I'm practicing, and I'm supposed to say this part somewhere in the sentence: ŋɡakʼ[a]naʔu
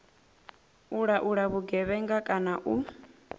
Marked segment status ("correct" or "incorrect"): correct